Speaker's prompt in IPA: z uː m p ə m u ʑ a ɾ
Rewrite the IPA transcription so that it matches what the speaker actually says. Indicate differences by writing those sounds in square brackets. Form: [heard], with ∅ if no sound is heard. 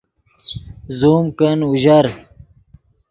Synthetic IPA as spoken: z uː m [k] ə [n] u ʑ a ɾ